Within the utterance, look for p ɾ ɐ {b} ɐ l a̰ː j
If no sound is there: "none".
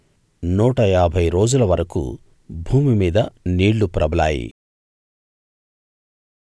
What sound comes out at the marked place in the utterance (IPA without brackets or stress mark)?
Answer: b